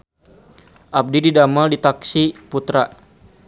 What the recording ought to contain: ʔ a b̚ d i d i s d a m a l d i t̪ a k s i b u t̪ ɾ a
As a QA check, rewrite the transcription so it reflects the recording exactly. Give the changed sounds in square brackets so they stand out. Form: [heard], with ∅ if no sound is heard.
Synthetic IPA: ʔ a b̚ d i d i [∅] d a m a l d i t̪ a k s i [p] u t̪ ɾ a